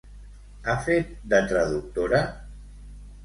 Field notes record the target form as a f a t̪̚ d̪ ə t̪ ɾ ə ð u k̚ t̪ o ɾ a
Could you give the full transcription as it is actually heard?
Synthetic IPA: a f e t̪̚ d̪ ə t̪ ɾ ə ð u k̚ t̪ o ɾ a